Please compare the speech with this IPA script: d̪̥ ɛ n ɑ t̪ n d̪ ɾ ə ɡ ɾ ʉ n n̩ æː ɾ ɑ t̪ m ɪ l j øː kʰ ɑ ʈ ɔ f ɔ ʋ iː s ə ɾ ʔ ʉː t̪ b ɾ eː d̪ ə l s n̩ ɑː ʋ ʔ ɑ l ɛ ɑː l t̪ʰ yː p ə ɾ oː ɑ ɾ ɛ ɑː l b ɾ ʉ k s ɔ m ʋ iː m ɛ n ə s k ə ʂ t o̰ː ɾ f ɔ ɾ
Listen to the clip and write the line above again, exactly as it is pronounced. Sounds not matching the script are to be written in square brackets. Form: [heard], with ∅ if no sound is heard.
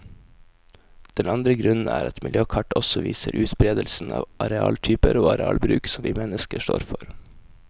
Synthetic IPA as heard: d̪̥ ɛ n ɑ [∅] n d̪ ɾ ə ɡ ɾ ʉ n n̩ æː ɾ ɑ t̪ m ɪ l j øː kʰ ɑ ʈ ɔ [s] ɔ ʋ iː s ə ɾ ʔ ʉː t̪ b ɾ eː d̪ ə l s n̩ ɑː ʋ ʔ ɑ [ɾ] ɛ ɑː l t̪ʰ yː p ə ɾ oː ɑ ɾ ɛ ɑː l b ɾ [ʉː] k s ɔ m ʋ iː m ɛ n ə s k ə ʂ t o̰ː ɾ f ɔ ɾ